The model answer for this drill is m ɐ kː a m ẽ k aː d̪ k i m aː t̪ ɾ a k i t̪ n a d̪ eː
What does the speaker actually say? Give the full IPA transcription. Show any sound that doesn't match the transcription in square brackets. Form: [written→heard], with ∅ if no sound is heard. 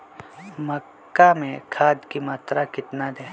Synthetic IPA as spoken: m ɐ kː a m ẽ [k→kʰ] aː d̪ k i m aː t̪ ɾ a k [i→ɪ] t̪ n a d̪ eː